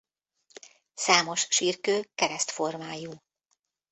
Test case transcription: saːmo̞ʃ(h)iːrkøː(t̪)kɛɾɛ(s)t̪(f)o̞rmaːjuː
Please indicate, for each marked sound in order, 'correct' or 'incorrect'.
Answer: incorrect: ʃ, incorrect: none, correct, correct

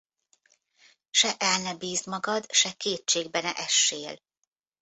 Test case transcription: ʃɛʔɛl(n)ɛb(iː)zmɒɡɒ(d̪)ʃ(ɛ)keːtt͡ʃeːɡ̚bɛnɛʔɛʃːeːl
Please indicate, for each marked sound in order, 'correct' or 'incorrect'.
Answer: correct, correct, correct, correct

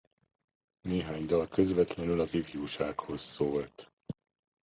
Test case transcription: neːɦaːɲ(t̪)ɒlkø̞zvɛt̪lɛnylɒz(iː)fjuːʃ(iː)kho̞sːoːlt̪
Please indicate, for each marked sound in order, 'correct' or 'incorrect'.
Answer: incorrect: d̪, incorrect: i, incorrect: aː

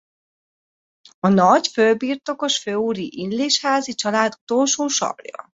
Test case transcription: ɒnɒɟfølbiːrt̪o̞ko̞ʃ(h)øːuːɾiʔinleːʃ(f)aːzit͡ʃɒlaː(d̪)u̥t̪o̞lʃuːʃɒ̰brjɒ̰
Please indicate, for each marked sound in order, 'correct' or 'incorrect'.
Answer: incorrect: f, incorrect: h, correct

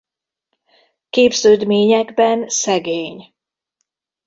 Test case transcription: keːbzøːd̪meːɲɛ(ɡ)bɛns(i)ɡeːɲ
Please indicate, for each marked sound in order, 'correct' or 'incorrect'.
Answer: correct, incorrect: ɛ

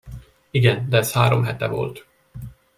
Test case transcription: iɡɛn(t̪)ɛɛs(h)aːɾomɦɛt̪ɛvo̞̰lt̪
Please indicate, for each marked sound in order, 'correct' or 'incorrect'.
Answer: incorrect: d̪, correct

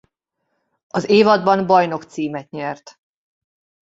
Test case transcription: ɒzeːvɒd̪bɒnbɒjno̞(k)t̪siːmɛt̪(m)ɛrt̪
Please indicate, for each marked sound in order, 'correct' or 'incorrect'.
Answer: correct, incorrect: ɲ

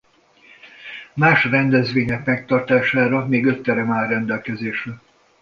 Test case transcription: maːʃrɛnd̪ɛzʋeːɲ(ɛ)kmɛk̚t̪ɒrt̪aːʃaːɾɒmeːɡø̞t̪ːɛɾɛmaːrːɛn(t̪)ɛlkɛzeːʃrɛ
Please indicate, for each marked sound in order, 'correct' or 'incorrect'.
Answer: correct, incorrect: d̪

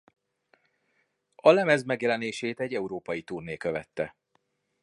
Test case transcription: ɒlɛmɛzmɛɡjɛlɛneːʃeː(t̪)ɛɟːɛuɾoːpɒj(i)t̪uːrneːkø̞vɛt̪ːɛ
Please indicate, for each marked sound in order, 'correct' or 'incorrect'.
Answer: correct, correct

